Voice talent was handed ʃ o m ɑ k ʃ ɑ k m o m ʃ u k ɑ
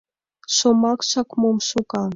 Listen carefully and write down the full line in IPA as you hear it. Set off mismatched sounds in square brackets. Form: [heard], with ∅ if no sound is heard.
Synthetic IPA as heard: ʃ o m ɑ k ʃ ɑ k m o m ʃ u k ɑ